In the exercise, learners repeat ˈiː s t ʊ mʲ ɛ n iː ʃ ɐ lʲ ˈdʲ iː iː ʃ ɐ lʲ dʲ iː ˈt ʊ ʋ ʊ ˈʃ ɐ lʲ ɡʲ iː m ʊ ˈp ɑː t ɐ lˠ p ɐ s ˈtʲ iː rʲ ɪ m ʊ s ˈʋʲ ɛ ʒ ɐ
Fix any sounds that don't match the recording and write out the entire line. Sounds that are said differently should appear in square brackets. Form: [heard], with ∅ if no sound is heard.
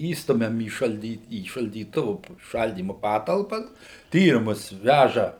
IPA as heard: ˈiː s t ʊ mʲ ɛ [m] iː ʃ ɐ lʲ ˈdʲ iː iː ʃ ɐ lʲ dʲ iː ˈt ʊ ʋ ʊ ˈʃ ɐ lʲ [dʲ] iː m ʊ ˈp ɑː t ɐ lˠ p ɐ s ˈtʲ iː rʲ ɪ m ʊ s ˈʋʲ [æ] ʒ ɐ

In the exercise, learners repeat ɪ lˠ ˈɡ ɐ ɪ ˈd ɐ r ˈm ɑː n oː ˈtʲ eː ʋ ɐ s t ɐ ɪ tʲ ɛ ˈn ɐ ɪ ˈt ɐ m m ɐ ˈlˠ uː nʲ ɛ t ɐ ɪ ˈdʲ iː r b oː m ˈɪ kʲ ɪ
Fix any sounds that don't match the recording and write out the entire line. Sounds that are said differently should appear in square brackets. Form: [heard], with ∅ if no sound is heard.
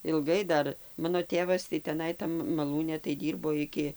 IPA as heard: ɪ lˠ ˈɡ ɐ ɪ ˈd ɐ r ˈm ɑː n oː ˈtʲ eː ʋ ɐ s t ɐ ɪ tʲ ɛ ˈn ɐ ɪ ˈt ɐ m m ɐ ˈlˠ uː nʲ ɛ t ɐ ɪ ˈdʲ iː r b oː [∅] ˈɪ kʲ ɪ

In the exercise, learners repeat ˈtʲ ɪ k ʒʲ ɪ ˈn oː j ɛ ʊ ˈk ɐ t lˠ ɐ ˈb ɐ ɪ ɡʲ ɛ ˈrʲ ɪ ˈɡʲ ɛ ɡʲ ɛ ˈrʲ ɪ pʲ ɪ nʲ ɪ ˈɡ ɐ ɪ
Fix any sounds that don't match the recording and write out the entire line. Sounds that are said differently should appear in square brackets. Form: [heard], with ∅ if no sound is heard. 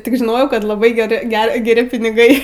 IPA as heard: ˈtʲ ɪ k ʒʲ ɪ ˈn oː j ɛ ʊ ˈk ɐ t lˠ ɐ ˈb ɐ ɪ ɡʲ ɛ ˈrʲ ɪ ˈɡʲ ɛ ɡʲ ɛ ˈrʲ ɪ pʲ ɪ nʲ ɪ ˈɡ ɐ ɪ

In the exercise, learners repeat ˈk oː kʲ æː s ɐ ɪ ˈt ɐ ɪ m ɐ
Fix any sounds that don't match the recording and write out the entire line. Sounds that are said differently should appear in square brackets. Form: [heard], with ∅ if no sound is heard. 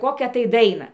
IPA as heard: ˈk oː kʲ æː [t] ɐ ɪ [ˈd] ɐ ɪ [n] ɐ

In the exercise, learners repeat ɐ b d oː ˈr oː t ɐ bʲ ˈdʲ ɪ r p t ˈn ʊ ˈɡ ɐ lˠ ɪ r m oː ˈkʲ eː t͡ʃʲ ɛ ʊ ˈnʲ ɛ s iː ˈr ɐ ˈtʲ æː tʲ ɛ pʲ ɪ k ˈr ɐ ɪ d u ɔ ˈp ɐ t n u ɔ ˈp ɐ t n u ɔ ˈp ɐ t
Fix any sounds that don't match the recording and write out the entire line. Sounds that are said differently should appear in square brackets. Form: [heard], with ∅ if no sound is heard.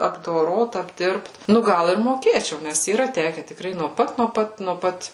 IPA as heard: ɐ b d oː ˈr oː t ɐ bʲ ˈdʲ ɪ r p t ˈn ʊ ˈɡ ɐ lˠ ɪ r m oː ˈkʲ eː t͡ʃʲ ɛ ʊ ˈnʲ ɛ s iː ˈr ɐ ˈtʲ æː [kʲ] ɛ [tʲ] ɪ k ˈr ɐ ɪ [n] u ɔ ˈp ɐ t n u ɔ ˈp ɐ t n u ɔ ˈp ɐ t

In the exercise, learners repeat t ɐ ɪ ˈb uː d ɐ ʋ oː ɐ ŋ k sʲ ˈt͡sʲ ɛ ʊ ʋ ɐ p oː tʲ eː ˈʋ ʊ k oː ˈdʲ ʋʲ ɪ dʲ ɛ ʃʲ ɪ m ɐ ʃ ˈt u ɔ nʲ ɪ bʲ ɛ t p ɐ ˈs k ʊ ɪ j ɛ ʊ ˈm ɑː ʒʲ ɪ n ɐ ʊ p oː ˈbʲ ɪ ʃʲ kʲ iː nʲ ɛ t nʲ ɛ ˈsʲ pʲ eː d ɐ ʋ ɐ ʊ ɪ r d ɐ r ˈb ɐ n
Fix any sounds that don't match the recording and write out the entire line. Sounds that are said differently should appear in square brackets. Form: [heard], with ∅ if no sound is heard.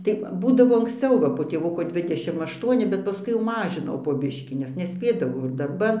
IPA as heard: t ɐ ɪ ˈb uː d ɐ ʋ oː ɐ ŋ k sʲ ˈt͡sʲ ɛ ʊ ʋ ɐ p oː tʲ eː ˈʋ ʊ k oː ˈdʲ ʋʲ ɪ dʲ ɛ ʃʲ ɪ m ɐ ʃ ˈt u ɔ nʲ ɪ bʲ ɛ t p ɐ ˈs k ʊ ɪ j ɛ ʊ ˈm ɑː ʒʲ ɪ n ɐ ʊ p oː ˈbʲ ɪ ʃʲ kʲ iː nʲ ɛ [s] nʲ ɛ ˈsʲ pʲ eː d ɐ ʋ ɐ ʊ ɪ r d ɐ r ˈb ɐ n

